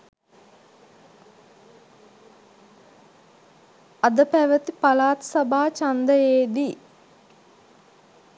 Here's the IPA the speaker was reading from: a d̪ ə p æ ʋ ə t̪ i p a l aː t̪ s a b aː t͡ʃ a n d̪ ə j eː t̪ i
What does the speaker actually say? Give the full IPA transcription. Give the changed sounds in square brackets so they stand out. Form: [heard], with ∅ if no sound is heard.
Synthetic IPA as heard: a d̪ ə p æ ʋ ə t̪ i p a l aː t̪ s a b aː t͡ʃ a n d̪ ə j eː [d̪] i

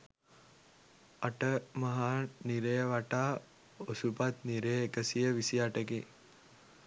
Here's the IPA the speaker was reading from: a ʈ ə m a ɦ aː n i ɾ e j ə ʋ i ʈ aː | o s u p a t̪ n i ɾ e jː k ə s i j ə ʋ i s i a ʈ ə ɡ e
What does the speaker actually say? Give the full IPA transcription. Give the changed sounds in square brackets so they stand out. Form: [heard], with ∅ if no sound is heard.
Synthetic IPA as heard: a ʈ ə m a ɦ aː n i ɾ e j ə ʋ [a] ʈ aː | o s u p a t̪ n i ɾ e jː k ə s i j ə ʋ i s i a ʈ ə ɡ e

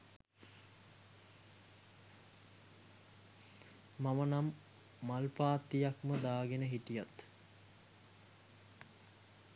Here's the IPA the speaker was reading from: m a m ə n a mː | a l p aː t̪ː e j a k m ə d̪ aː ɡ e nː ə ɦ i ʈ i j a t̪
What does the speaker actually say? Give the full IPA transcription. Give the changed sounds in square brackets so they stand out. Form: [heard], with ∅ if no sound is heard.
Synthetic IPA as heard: m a m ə n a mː | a l p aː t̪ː [i] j a k m ə d̪ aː ɡ e [n] ə ɦ i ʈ i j a t̪

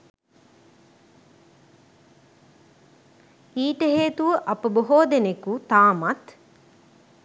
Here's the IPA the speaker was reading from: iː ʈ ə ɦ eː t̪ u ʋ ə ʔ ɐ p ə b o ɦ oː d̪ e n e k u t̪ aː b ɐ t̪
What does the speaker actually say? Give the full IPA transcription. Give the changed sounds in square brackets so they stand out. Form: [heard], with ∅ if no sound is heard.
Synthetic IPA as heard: iː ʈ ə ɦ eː t̪ u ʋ ə ʔ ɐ p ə b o ɦ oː d̪ e n e k u t̪ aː [m] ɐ t̪

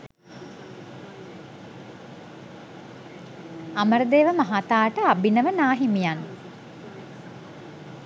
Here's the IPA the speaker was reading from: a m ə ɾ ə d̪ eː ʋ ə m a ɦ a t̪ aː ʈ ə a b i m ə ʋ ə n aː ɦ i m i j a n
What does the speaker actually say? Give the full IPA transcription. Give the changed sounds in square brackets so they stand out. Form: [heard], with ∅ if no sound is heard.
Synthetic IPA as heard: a m ə ɾ ə d̪ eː ʋ ə m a ɦ a t̪ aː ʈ ə a b i [n] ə ʋ ə n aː ɦ i m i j a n

